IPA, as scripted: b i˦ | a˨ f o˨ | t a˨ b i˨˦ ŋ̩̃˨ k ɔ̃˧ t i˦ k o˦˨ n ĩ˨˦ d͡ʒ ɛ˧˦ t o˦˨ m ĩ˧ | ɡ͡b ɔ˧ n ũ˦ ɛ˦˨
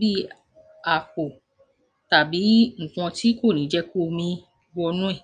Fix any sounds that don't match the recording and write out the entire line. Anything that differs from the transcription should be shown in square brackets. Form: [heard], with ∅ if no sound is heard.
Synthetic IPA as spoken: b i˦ | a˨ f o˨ | t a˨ b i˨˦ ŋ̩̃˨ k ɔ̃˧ t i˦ k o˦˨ n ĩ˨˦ d͡ʒ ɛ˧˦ [k] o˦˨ m ĩ˧ | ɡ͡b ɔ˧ n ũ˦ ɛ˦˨